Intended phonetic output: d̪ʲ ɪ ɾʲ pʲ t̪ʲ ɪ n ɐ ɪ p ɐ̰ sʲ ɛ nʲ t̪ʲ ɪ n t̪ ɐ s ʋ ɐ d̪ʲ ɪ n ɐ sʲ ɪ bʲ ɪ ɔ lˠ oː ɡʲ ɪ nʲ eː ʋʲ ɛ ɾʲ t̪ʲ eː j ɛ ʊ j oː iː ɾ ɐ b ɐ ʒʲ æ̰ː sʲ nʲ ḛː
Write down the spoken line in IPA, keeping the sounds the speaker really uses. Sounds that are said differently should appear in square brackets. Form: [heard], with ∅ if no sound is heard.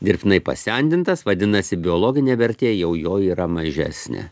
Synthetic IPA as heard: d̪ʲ ɪ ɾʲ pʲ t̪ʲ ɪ n ɐ ɪ p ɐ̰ sʲ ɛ nʲ [d̪ʲ] ɪ n t̪ ɐ s ʋ ɐ d̪ʲ ɪ n ɐ sʲ ɪ bʲ ɪ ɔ lˠ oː ɡʲ ɪ nʲ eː ʋʲ ɛ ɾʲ t̪ʲ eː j ɛ ʊ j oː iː ɾ ɐ [m] ɐ ʒʲ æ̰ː sʲ nʲ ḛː